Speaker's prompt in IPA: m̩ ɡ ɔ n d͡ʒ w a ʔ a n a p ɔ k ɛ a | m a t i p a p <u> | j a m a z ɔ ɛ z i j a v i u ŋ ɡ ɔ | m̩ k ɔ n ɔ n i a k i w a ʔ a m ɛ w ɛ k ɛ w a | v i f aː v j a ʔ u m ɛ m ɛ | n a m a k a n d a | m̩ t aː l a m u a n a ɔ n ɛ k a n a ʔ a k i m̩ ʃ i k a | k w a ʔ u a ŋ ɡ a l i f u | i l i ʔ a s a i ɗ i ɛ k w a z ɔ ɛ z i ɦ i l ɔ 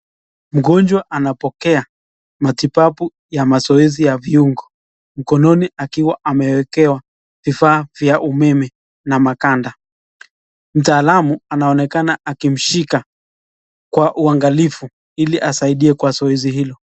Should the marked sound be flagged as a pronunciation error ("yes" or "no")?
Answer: no